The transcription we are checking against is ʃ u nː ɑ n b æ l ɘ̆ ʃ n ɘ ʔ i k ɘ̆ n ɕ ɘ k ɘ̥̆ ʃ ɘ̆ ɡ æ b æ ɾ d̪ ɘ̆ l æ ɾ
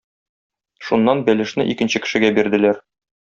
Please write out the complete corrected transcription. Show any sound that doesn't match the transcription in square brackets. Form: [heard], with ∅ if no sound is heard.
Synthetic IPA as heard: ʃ u nː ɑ n b æ l ɘ̆ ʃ n ɘ ʔ i k ɘ̆ n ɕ ɘ k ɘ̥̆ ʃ ɘ̆ ɡ æ b [i] ɾ d̪ ɘ̆ l æ ɾ